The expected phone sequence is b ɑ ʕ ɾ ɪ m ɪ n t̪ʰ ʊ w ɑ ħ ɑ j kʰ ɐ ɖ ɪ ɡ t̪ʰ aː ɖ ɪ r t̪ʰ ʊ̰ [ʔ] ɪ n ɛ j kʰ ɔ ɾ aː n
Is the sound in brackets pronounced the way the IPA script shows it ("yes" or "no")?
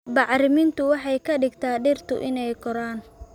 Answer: yes